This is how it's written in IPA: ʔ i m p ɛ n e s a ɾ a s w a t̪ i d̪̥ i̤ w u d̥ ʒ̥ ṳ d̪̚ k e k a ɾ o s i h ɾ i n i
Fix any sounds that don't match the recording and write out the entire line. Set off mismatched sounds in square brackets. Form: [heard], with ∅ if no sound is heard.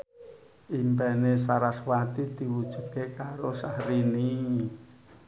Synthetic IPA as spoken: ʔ i m p ɛ n e s a ɾ a s w a t̪ i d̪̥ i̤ w u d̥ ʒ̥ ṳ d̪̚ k e k a ɾ o s [a] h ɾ i n i